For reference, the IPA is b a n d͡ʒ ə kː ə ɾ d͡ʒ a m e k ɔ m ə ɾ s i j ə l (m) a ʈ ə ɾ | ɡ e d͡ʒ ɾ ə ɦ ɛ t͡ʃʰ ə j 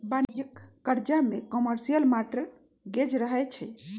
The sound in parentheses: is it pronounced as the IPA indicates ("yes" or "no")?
yes